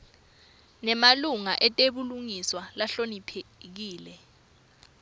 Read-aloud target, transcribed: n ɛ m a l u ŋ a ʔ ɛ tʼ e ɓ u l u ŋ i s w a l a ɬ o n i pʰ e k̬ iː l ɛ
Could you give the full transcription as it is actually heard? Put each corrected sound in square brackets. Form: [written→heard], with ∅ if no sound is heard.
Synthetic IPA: n ɛ m a l u ŋ a ʔ ɛ tʼ e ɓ u l u ŋ i s w a l a ɬ o n i pʰ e k̬ iː l ɛ